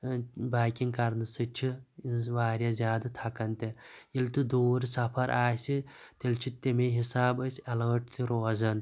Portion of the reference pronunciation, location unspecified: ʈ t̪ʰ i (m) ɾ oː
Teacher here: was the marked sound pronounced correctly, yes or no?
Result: no